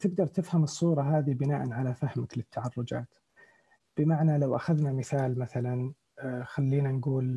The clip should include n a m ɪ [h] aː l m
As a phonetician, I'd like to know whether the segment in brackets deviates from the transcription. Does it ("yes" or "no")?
yes